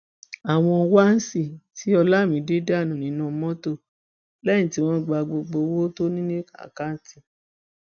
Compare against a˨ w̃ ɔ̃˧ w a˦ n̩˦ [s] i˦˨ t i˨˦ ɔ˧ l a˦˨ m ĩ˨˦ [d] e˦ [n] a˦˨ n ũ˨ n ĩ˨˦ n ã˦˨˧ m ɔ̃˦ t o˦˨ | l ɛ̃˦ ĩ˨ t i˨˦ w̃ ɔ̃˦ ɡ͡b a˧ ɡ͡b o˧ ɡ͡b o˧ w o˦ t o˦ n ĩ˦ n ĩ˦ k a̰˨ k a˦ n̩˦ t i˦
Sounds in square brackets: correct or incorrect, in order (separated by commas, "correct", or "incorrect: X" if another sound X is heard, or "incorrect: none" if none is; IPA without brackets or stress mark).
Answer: correct, correct, incorrect: d